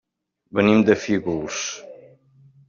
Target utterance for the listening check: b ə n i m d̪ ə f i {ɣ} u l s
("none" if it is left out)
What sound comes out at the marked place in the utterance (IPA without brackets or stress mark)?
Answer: ɣ